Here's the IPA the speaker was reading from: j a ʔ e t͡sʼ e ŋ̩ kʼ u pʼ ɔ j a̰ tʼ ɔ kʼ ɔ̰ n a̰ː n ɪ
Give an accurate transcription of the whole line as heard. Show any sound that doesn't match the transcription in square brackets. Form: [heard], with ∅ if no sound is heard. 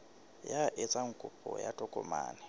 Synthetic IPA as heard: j a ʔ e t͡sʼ [a] ŋ̩ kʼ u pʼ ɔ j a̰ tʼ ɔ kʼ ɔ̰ [m] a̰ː n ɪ